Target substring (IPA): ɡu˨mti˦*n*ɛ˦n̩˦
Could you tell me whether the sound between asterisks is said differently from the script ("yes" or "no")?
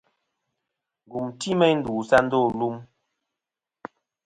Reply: yes